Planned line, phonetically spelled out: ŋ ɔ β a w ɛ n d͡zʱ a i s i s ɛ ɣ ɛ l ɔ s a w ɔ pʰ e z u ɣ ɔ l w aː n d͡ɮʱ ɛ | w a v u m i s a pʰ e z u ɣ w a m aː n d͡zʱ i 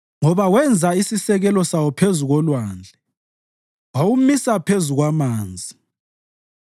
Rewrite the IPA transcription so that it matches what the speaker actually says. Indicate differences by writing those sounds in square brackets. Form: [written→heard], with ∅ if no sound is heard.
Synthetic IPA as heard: ŋ ɔ β a w ɛ n d͡zʱ a i s i s ɛ ɣ ɛ l ɔ s a w ɔ pʰ e z u ɣ ɔ l w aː n d͡ɮʱ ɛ | w a [v→w] u m i s a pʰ e z u ɣ w a m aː n d͡zʱ i